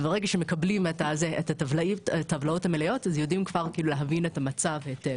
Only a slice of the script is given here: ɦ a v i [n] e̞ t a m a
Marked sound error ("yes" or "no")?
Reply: no